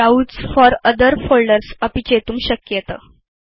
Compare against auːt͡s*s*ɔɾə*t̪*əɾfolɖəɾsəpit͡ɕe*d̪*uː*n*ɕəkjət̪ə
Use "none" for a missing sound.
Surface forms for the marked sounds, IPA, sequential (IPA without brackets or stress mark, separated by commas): f, d̪, t̪, m